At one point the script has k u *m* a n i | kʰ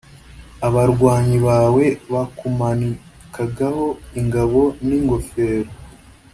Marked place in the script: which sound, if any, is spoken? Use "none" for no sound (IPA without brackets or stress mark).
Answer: m